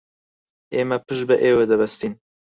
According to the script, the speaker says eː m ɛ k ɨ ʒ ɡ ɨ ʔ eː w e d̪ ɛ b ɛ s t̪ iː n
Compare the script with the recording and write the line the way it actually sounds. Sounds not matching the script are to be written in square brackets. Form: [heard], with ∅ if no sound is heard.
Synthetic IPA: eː m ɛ [p] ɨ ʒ [b] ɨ ʔ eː w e d̪ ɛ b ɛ s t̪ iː n